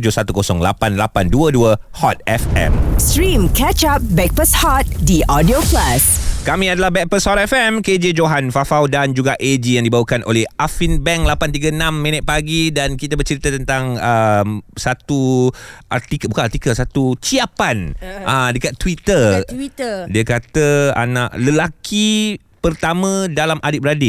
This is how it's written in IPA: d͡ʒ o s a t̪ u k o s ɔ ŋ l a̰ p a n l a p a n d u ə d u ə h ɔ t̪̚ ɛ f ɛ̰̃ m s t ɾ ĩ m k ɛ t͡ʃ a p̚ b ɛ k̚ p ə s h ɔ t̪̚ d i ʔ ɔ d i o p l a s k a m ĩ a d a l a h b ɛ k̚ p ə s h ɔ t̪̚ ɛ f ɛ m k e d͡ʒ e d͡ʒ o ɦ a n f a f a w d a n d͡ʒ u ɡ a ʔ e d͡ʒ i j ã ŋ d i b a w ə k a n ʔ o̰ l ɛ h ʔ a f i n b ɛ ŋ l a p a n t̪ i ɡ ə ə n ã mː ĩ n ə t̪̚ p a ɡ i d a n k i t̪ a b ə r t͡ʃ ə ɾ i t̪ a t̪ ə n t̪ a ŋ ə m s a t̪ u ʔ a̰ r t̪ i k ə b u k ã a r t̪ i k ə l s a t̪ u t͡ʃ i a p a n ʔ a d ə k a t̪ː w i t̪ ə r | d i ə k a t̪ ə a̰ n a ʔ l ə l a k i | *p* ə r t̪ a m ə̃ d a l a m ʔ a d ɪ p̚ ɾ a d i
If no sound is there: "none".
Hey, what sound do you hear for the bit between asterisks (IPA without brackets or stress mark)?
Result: p